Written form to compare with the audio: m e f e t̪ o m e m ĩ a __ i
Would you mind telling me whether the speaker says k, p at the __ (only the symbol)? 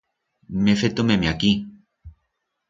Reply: k